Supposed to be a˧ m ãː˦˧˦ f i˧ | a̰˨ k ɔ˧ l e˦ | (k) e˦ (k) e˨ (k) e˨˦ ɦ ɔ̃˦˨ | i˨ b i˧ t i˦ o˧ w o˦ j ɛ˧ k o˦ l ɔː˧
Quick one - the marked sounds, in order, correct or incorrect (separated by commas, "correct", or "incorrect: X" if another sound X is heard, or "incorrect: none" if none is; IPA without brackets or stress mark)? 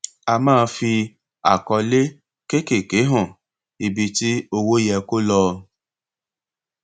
correct, correct, correct